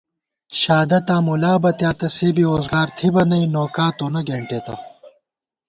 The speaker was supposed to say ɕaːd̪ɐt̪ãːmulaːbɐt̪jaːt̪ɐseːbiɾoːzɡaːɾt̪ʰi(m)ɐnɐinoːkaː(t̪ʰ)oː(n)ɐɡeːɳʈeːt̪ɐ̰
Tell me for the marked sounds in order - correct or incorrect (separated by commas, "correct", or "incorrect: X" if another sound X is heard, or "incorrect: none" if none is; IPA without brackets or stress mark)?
incorrect: b, incorrect: t̪, correct